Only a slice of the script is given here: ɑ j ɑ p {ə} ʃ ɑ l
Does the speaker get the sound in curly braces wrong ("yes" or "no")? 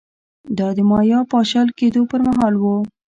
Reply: yes